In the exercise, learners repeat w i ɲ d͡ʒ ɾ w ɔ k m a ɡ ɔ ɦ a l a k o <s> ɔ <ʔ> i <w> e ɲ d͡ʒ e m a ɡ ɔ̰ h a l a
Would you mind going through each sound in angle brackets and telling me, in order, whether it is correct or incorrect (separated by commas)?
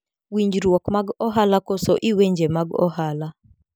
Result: correct, correct, correct